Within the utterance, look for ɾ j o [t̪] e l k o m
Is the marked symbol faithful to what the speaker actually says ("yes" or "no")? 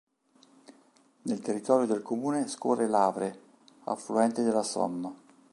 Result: no